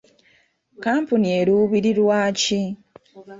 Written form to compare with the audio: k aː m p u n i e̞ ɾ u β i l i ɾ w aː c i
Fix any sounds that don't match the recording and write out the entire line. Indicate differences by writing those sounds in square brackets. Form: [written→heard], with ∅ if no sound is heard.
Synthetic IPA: k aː m p u n i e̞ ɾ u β i [l→ɾ] i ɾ w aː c i